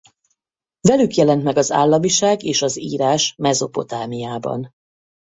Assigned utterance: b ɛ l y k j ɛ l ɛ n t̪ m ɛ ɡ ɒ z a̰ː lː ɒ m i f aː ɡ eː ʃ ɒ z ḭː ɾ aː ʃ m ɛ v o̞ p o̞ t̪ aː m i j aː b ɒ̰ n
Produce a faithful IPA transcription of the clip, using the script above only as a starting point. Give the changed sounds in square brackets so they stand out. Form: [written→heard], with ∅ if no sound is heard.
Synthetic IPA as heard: [b→v] ɛ l y k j ɛ l ɛ n t̪ m ɛ ɡ ɒ z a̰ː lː ɒ m i [f→ʃ] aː ɡ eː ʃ ɒ z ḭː ɾ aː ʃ m ɛ [v→z] o̞ p o̞ t̪ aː m i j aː b ɒ̰ n